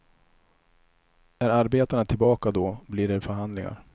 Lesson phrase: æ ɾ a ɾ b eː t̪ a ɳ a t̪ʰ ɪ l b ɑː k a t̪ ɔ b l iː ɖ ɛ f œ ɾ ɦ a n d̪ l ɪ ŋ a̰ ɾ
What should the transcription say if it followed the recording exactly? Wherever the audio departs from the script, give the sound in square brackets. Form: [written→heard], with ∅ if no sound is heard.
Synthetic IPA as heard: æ ɾ a ɾ b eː t̪ a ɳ a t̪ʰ ɪ l b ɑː k a [t̪→d̪] ɔ b l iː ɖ ɛ f œ ɾ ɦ a n d̪ l ɪ ŋ a̰ ɾ